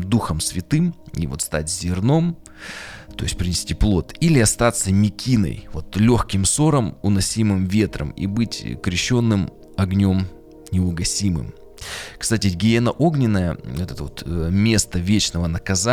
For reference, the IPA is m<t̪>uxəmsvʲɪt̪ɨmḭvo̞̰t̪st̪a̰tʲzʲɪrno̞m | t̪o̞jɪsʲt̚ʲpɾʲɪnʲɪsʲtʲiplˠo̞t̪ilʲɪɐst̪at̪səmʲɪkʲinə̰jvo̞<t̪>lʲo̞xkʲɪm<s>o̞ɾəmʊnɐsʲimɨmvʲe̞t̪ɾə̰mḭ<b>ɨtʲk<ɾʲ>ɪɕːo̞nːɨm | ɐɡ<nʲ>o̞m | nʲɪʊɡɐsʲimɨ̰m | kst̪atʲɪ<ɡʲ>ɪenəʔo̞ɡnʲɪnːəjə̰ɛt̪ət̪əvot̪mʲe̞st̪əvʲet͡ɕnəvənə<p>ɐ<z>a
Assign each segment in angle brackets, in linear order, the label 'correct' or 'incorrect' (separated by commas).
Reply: incorrect, correct, correct, correct, correct, correct, correct, incorrect, correct